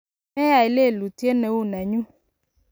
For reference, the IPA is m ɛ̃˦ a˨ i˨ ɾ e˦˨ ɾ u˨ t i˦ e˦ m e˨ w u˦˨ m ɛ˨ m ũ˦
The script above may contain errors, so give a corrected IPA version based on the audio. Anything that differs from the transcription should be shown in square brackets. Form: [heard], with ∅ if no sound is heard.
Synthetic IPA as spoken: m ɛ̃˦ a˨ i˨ [l] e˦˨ [l] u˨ t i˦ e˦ [n] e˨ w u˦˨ [n] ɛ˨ [ɲ] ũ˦